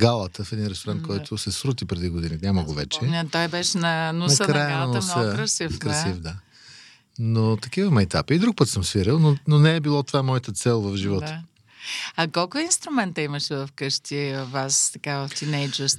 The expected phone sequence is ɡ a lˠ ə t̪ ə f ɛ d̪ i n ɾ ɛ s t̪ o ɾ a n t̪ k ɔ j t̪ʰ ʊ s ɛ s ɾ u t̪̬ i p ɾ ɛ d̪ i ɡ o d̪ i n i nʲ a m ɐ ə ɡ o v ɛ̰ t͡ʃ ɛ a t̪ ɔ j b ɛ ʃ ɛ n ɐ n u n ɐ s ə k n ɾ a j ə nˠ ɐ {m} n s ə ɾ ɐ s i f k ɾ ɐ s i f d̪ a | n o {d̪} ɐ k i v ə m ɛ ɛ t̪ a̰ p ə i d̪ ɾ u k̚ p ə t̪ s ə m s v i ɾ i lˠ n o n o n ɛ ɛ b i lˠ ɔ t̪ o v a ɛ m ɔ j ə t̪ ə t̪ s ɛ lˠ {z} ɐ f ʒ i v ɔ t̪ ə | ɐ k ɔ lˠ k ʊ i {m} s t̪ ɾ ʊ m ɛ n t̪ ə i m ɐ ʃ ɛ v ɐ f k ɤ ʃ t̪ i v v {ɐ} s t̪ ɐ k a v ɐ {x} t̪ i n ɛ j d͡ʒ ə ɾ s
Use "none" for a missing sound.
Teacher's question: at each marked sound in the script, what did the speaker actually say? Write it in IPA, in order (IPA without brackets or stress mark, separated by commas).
n, t̪, v, n, a, f